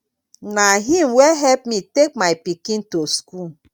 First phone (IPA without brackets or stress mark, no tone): n